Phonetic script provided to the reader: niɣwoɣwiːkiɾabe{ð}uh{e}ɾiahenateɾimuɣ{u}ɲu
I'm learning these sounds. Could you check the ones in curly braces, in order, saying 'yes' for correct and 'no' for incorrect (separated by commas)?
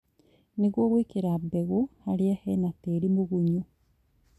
no, no, yes